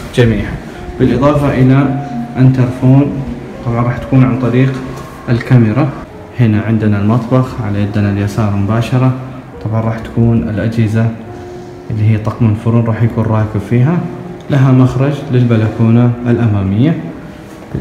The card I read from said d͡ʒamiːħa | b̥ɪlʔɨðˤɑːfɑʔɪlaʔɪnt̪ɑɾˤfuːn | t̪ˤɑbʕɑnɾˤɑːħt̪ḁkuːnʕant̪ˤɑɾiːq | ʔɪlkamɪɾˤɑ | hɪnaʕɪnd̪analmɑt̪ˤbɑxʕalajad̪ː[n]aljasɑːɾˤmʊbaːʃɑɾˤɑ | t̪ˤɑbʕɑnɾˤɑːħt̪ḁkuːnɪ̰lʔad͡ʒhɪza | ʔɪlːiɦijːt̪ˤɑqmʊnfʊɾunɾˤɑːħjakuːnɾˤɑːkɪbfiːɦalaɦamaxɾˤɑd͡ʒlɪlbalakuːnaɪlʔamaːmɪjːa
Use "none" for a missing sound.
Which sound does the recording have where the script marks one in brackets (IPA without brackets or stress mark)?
n